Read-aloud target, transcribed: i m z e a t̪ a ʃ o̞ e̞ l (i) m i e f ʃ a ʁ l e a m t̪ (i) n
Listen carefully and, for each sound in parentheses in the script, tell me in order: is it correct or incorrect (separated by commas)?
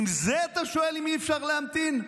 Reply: correct, correct